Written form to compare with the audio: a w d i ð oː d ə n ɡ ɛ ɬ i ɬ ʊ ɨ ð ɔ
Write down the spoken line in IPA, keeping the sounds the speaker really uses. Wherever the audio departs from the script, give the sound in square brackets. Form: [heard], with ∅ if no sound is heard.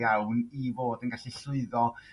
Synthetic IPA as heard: a w [n] i [v] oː d ə n ɡ [a] ɬ i ɬ ʊ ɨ ð ɔ